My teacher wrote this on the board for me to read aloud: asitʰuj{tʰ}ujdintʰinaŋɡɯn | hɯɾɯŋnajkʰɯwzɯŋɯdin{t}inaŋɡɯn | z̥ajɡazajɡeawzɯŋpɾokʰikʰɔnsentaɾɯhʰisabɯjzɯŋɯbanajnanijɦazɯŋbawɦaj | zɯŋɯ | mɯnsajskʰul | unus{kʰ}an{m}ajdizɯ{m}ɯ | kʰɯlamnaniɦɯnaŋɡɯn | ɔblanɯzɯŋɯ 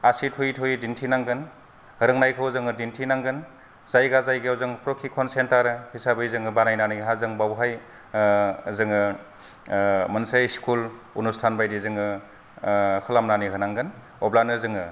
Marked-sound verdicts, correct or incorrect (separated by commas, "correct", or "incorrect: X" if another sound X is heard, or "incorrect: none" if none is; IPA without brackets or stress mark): correct, incorrect: tʰ, incorrect: tʰ, incorrect: b, incorrect: ŋ